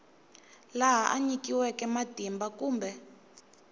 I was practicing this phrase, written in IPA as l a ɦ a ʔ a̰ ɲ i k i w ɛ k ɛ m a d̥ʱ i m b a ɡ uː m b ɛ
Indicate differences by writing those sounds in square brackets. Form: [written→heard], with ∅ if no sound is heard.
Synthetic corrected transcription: l a ɦ a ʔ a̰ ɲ i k i w ɛ k ɛ m a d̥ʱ i m b a [ɡ→k] uː m b ɛ